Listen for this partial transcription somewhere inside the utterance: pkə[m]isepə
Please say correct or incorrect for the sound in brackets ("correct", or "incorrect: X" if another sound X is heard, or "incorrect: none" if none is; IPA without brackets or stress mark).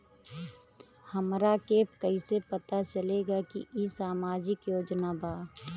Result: incorrect: none